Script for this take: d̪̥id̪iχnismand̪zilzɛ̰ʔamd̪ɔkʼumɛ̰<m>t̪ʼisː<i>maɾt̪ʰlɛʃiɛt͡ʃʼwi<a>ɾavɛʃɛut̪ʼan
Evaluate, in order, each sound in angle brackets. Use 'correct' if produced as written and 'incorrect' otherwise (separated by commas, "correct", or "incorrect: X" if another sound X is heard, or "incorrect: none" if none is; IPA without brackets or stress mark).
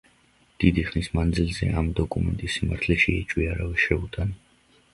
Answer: incorrect: n, correct, correct